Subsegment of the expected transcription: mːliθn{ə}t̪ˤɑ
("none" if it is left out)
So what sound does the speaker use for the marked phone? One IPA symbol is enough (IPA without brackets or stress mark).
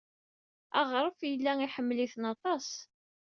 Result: ɑ